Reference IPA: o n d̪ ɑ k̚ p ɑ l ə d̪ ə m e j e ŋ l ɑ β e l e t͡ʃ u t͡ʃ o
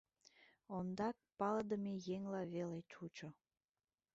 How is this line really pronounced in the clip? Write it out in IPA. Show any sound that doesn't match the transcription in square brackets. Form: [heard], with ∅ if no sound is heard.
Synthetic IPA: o n d̪ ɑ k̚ p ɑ l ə d̪ ə m e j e ŋ l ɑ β e l e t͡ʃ u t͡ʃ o